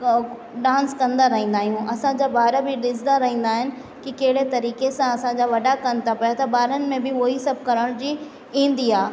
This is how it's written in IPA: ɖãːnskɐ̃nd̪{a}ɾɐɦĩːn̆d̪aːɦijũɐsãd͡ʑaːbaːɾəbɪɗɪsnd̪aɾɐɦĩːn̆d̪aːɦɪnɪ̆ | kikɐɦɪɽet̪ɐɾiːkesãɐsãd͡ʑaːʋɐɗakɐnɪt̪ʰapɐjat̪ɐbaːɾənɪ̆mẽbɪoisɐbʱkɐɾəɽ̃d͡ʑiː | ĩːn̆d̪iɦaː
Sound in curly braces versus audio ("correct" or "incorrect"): correct